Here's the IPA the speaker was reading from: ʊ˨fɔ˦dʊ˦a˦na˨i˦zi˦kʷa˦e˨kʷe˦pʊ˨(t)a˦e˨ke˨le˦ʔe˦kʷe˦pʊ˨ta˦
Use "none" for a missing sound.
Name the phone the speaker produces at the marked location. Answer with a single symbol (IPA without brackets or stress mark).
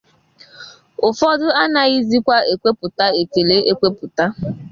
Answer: t